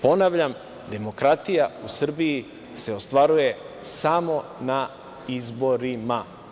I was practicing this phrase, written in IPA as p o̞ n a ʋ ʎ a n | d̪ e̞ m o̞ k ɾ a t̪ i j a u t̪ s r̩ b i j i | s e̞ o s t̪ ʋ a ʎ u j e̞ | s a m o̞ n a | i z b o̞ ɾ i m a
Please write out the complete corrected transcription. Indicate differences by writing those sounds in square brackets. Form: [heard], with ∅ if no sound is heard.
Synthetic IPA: p o̞ n a ʋ ʎ a [m] | d̪ e̞ m o̞ k ɾ a t̪ i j a u [∅] s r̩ b i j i | s e̞ o s t̪ ʋ a [ɾ] u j e̞ | s a m o̞ n a | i z b o̞ ɾ i m a

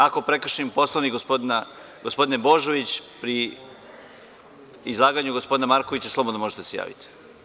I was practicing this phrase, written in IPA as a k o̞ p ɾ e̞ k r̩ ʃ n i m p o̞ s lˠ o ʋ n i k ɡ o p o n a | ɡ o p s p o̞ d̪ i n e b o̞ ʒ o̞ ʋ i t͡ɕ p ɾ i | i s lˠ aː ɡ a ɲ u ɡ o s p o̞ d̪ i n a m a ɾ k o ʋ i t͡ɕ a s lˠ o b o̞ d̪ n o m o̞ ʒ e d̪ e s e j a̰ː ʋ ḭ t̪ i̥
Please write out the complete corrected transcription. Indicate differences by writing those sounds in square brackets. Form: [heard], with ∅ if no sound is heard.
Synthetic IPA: a k o̞ p ɾ e̞ k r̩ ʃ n i m p o̞ s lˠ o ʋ n i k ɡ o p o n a | ɡ o [∅] s p o̞ d̪ i n e b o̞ ʒ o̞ ʋ i t͡ɕ p ɾ i | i [z] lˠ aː ɡ a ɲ u ɡ o s p o̞ d̪ i n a m a ɾ k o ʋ i t͡ɕ a s lˠ o b o̞ d̪ n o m o̞ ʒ e [t̪] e s e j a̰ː ʋ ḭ t̪ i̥

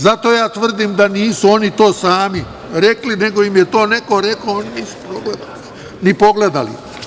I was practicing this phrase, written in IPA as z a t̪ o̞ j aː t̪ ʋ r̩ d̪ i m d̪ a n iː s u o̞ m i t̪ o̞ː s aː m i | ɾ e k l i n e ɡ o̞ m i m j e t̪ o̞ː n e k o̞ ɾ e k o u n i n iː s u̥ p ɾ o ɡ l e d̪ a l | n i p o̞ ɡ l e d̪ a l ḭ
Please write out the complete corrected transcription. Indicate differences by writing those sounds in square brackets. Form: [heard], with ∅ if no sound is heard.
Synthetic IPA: z a t̪ o̞ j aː t̪ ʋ r̩ d̪ i m d̪ a n iː s u o̞ [n] i t̪ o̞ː s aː m i | ɾ e k l i n e ɡ o̞ [∅] i m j e t̪ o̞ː n e k o̞ ɾ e k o [o] n i n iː s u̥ p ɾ o ɡ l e d̪ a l | n i p o̞ ɡ l e d̪ a l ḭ

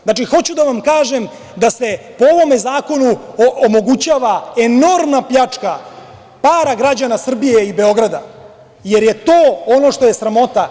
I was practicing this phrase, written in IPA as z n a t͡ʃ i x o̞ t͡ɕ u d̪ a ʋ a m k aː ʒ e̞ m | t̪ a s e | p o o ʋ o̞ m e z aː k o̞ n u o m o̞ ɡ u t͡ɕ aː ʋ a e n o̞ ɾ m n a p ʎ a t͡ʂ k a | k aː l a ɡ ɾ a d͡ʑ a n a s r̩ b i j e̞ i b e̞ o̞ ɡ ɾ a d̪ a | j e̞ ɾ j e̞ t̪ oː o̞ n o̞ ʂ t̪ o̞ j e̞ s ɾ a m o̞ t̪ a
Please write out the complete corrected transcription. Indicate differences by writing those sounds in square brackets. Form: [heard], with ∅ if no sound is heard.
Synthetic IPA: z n a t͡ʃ i x o̞ t͡ɕ u d̪ a ʋ a m k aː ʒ e̞ m | [d̪] a s e | p o o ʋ o̞ m e z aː k o̞ n u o m o̞ ɡ u t͡ɕ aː ʋ a e n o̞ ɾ m n a p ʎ a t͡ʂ k a | [p] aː [ɾ] a ɡ ɾ a d͡ʑ a n a s r̩ b i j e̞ i b e̞ o̞ ɡ ɾ a d̪ a | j e̞ ɾ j e̞ t̪ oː o̞ n o̞ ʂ t̪ o̞ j e̞ s ɾ a m o̞ t̪ a

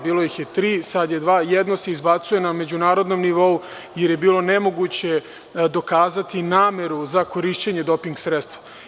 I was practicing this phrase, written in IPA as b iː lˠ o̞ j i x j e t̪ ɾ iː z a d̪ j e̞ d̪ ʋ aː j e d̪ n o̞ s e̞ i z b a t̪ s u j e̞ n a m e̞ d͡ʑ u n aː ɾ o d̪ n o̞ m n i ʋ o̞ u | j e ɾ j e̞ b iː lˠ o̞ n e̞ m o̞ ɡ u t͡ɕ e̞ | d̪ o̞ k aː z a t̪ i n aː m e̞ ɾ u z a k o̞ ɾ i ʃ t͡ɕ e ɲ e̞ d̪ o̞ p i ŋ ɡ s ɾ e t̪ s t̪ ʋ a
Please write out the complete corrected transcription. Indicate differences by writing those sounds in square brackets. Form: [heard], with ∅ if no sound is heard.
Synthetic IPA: b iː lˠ o̞ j i x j e t̪ ɾ iː [s] a d̪ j e̞ d̪ ʋ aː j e d̪ n o̞ s e̞ i z b a t̪ s u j e̞ n a m e̞ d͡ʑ u n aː ɾ o d̪ n o̞ m n i ʋ o̞ u | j e ɾ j e̞ b iː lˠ o̞ n e̞ m o̞ ɡ u t͡ɕ e̞ | d̪ o̞ k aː z a t̪ i n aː m e̞ ɾ u z a k o̞ ɾ i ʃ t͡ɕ e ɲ e̞ d̪ o̞ p i ŋ ɡ s ɾ e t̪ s t̪ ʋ a

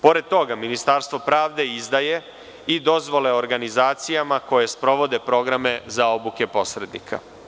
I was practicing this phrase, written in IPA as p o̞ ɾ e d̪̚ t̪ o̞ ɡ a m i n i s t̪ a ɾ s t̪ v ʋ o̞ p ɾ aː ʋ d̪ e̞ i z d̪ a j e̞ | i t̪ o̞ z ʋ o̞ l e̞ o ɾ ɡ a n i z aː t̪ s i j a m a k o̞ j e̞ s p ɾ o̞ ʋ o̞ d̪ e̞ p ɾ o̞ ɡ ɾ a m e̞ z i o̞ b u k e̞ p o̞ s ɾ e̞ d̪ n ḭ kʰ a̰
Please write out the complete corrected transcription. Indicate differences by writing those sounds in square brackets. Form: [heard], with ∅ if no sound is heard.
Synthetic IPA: p o̞ ɾ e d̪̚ t̪ o̞ ɡ a m i n i s t̪ a ɾ s t̪ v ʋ o̞ p ɾ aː ʋ d̪ e̞ i z d̪ a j e̞ | i [d̪] o̞ z ʋ o̞ l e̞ o ɾ ɡ a n i z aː t̪ s i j a m a k o̞ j e̞ s p ɾ o̞ ʋ o̞ d̪ e̞ p ɾ o̞ ɡ ɾ a m e̞ z [a] o̞ b u k e̞ p o̞ s ɾ e̞ d̪ n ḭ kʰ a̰

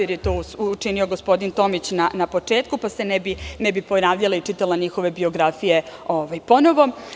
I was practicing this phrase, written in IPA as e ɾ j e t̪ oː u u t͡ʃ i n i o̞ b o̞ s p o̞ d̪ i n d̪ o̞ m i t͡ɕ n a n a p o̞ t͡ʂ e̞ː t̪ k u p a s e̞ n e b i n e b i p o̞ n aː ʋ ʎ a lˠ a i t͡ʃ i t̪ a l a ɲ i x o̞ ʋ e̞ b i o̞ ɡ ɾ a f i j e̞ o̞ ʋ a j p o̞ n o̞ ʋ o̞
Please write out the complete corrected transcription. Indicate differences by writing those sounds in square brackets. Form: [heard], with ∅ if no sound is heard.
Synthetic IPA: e ɾ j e t̪ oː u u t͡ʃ i n i o̞ [ɡ] o̞ s p o̞ d̪ i n [t̪] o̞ m i t͡ɕ n a n a p o̞ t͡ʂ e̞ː t̪ k u p a s e̞ n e b i n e b i p o̞ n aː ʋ ʎ a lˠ a i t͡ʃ i t̪ a l a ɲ i x o̞ ʋ e̞ b i o̞ ɡ ɾ a f i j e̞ o̞ ʋ a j p o̞ n o̞ ʋ o̞

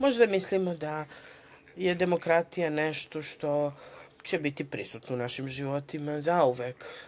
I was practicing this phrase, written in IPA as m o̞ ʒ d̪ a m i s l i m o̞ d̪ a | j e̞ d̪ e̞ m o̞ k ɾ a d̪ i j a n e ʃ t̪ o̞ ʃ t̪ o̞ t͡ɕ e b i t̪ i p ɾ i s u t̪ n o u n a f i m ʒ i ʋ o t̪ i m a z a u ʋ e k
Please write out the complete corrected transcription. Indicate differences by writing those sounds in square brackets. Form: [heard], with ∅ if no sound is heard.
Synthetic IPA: m o̞ ʒ d̪ a m i s l i m o̞ d̪ a | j e̞ d̪ e̞ m o̞ k ɾ a [t̪] i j a n e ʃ t̪ o̞ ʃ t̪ o̞ t͡ɕ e b i t̪ i p ɾ i s u t̪ n o u n a [ʃ] i m ʒ i ʋ o t̪ i m a z a u ʋ e k

